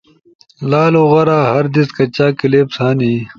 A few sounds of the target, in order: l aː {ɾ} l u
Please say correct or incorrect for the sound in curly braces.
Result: incorrect